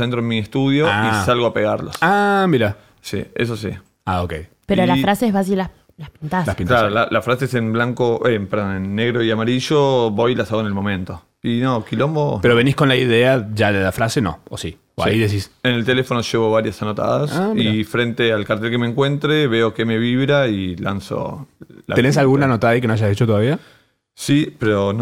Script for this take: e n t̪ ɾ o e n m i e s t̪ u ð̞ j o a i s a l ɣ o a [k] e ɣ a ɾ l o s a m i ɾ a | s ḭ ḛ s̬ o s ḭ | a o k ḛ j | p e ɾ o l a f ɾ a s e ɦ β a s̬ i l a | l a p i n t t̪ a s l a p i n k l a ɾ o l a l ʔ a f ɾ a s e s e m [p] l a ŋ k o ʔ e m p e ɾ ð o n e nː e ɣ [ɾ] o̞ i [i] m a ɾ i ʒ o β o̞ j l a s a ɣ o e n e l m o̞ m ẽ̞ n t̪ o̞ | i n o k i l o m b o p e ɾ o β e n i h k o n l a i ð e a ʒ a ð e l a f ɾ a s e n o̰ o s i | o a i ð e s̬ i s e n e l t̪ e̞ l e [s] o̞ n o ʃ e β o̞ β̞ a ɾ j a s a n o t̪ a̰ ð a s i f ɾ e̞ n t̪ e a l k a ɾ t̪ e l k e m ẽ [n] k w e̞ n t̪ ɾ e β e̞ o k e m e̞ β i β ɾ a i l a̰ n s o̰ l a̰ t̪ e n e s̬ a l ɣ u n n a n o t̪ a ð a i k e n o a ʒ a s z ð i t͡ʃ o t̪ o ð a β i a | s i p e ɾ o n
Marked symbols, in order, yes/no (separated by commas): no, no, yes, no, no, no